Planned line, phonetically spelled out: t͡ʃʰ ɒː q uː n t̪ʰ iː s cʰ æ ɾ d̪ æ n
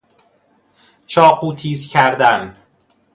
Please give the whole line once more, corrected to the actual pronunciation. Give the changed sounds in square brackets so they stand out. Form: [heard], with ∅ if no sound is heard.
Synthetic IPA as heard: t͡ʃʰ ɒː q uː [∅] t̪ʰ iː [z] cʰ æ ɾ d̪ æ n